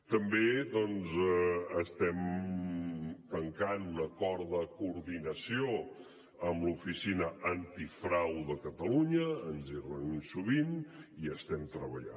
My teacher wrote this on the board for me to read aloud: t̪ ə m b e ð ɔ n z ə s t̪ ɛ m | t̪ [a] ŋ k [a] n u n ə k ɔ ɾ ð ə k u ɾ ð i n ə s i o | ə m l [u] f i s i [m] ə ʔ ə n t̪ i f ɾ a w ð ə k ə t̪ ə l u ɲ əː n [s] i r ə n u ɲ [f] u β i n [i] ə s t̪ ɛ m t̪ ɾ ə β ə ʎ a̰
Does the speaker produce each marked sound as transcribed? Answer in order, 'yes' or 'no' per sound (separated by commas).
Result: no, yes, yes, no, no, no, yes